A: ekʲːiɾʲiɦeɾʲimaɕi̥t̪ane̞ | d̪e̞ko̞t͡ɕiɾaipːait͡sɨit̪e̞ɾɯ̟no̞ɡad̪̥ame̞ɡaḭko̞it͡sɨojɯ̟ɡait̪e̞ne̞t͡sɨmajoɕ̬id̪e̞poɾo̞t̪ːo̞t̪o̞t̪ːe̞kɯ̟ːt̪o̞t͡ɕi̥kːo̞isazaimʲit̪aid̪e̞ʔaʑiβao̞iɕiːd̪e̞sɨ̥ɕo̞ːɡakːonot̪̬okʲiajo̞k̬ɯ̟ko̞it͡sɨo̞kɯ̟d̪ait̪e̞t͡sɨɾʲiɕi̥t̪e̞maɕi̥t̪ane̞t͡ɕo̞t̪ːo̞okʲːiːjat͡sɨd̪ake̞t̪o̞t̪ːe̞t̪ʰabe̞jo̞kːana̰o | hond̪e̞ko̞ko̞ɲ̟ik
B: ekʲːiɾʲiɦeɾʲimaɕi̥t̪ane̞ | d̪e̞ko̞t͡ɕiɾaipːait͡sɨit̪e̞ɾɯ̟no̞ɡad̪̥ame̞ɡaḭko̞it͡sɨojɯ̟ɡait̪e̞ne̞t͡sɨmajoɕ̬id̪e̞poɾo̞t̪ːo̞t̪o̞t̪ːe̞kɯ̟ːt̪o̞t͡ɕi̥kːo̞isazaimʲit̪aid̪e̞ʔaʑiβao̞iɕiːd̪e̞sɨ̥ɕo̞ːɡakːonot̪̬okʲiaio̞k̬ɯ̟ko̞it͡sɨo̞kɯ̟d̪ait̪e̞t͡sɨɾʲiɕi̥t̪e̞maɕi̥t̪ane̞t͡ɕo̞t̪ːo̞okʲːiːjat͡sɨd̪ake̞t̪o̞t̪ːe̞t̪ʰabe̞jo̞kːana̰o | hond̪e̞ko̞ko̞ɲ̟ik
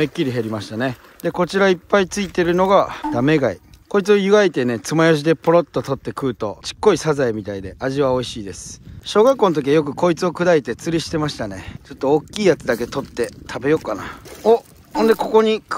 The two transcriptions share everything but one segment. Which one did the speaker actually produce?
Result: A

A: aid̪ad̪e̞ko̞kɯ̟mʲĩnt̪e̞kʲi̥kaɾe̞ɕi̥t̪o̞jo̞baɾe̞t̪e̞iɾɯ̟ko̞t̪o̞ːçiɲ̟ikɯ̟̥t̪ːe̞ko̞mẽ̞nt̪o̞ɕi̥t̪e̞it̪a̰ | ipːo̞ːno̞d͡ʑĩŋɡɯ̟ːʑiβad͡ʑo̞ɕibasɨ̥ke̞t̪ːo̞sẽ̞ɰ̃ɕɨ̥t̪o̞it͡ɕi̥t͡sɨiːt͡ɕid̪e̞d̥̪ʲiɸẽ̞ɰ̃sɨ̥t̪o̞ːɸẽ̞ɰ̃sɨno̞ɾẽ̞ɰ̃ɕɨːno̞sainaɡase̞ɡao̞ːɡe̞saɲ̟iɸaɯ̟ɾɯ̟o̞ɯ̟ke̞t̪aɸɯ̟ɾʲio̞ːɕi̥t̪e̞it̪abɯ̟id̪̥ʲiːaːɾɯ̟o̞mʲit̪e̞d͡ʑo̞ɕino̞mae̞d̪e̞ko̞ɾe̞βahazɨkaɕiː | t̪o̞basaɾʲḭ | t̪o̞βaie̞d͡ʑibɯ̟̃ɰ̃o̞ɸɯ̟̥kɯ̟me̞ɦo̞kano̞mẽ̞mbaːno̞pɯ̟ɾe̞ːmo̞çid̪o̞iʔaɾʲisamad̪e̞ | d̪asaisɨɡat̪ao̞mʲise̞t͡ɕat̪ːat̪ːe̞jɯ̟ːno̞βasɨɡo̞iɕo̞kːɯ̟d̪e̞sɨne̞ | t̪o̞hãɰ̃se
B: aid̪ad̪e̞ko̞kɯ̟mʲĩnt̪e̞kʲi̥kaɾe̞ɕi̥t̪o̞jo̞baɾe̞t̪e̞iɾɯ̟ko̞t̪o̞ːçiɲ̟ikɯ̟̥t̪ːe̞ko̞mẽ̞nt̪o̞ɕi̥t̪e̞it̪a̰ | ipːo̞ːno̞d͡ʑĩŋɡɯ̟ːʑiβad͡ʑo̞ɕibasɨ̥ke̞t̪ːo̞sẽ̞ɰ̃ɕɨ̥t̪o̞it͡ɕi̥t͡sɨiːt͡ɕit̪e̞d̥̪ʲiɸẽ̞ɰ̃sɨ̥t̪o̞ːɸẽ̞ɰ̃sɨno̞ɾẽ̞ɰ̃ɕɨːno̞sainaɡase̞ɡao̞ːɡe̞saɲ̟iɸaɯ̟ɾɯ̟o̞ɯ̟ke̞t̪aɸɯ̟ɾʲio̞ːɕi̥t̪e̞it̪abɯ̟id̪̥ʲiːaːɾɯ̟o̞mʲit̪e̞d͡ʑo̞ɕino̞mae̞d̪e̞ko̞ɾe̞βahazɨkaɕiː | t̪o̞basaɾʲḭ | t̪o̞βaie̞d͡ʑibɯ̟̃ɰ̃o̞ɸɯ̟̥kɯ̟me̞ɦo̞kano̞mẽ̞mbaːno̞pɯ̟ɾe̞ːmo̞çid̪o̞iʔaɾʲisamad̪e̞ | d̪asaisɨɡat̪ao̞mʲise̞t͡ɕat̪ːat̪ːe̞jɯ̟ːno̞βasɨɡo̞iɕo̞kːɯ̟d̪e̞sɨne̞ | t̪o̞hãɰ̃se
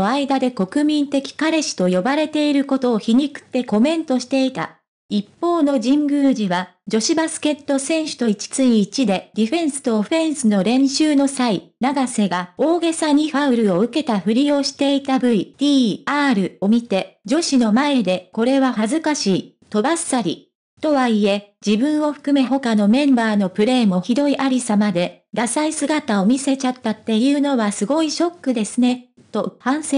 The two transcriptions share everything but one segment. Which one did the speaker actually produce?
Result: A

